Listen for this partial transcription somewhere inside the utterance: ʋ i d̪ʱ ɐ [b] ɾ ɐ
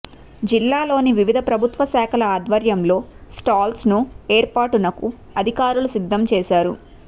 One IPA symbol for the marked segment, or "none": p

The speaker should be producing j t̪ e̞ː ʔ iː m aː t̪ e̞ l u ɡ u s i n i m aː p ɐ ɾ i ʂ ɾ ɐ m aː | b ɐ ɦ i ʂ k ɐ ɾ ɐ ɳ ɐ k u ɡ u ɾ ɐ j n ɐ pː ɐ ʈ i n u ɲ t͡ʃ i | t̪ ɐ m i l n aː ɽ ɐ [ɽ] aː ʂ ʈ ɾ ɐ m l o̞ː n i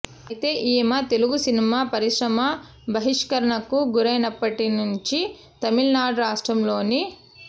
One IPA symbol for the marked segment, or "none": ɾ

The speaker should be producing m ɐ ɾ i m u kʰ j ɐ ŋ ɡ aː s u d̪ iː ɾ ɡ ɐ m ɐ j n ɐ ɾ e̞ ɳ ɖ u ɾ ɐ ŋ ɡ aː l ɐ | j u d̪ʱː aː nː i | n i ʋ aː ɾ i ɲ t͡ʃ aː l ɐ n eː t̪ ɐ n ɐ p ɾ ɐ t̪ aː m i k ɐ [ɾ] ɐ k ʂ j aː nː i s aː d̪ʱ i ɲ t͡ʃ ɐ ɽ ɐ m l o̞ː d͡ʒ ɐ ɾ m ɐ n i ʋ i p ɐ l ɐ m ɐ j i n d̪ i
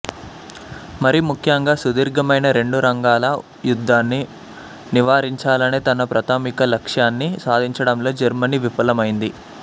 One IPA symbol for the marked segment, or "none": l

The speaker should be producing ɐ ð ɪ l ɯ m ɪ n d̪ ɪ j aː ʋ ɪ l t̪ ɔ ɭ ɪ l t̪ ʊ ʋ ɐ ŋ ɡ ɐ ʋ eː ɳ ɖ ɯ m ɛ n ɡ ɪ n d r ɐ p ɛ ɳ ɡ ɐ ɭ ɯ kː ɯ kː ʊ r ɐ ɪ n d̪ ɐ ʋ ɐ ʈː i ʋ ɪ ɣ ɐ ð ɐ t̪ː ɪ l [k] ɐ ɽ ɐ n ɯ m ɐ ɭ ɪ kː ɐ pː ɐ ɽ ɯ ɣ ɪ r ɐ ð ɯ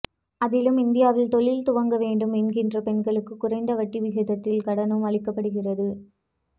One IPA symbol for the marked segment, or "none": k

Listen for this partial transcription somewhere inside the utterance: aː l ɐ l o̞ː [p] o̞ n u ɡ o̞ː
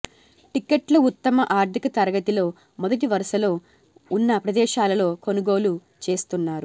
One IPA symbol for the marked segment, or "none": k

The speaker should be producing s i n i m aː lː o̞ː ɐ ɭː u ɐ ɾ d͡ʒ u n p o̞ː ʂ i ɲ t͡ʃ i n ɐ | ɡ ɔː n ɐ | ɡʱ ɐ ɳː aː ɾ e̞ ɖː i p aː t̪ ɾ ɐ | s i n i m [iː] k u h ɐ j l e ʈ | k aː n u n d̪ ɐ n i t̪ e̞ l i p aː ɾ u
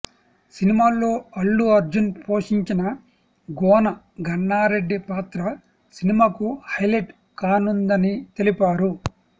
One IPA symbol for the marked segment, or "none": aː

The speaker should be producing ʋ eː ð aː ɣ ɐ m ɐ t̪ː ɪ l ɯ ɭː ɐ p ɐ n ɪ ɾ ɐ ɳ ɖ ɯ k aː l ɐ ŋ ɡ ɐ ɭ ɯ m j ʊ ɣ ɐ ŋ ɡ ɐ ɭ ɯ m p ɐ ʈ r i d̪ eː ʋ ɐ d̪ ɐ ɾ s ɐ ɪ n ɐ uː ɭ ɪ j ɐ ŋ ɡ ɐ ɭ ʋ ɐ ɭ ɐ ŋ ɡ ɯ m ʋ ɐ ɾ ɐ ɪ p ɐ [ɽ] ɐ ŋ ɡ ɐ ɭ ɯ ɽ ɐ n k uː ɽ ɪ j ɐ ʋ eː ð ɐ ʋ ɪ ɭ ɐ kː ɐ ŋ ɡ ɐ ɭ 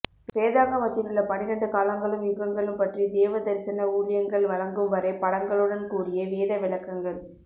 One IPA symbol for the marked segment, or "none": ɽ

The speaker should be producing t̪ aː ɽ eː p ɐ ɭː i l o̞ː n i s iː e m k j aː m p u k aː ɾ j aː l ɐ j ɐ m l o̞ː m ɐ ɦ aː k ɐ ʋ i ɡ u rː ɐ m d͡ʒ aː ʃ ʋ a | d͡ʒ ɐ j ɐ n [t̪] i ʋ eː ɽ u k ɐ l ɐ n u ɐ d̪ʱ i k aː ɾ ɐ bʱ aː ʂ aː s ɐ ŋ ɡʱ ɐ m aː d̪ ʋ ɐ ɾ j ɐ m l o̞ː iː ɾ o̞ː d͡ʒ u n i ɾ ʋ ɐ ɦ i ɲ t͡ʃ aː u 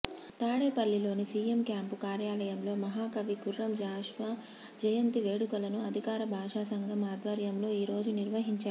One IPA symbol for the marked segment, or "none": t̪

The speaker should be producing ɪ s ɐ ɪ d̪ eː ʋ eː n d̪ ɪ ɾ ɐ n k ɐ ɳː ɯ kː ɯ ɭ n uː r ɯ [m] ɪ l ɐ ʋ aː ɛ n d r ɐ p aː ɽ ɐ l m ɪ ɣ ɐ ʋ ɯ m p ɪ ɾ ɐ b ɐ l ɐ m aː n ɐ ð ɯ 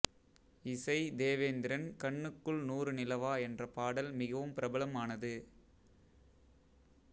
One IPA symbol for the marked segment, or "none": n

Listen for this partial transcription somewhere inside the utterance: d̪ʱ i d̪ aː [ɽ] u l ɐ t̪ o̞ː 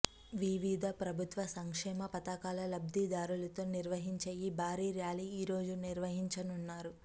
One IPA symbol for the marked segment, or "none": ɾ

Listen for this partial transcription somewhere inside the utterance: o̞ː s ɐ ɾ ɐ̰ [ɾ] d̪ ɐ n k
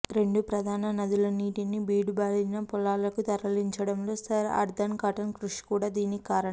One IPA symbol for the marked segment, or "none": ɾ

